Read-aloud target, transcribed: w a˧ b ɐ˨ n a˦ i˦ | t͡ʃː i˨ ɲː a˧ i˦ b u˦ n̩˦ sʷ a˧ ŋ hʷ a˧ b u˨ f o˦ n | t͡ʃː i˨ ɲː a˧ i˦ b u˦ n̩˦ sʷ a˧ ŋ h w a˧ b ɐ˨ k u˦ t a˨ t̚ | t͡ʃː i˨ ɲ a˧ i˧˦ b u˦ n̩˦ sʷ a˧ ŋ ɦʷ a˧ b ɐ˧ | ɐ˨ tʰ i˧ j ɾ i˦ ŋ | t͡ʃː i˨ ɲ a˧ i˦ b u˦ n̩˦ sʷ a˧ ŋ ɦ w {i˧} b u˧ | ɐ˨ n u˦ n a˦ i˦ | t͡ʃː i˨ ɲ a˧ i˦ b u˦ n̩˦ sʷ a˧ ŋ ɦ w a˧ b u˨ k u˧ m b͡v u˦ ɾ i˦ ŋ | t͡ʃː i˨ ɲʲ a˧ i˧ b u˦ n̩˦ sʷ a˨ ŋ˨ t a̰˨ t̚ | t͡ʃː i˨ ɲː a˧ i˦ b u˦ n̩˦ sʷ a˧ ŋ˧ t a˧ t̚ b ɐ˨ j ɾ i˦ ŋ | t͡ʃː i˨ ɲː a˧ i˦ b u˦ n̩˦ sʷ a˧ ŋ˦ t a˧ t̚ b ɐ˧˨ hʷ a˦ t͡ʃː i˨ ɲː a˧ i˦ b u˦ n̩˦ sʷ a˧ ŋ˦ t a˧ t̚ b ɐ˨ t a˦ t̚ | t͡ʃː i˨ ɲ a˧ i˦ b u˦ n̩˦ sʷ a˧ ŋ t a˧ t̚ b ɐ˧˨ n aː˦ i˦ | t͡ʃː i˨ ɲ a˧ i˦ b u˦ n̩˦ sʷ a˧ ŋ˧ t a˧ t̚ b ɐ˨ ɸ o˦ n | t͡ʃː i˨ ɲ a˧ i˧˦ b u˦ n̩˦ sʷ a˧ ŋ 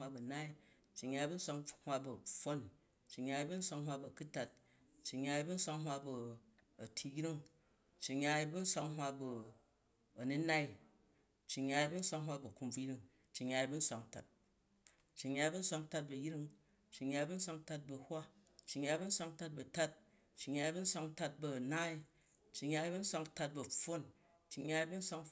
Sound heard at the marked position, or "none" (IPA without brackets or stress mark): a˧